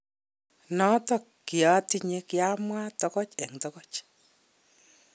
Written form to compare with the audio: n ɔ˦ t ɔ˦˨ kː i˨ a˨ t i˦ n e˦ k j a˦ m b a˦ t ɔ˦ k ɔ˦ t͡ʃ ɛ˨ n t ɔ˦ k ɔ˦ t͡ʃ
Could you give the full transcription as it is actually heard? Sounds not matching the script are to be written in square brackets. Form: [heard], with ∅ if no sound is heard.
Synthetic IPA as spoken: n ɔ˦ t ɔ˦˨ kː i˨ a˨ t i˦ [ɲ] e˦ k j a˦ m [w] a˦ t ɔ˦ k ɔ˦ t͡ʃ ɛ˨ [ŋ] t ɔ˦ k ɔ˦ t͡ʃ